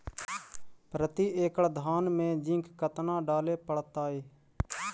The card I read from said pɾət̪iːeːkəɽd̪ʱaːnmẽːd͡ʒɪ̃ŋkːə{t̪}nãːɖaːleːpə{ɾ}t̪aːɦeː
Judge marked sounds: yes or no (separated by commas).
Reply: yes, no